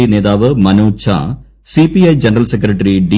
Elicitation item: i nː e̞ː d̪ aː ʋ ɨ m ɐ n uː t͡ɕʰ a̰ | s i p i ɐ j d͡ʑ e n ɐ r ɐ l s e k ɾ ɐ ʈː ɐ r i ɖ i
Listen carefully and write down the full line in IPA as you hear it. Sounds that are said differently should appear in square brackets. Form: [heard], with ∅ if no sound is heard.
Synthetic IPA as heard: i [n] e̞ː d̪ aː ʋ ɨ m ɐ n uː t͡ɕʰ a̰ | s i p i ɐ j d͡ʑ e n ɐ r ɐ l s e k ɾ ɐ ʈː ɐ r i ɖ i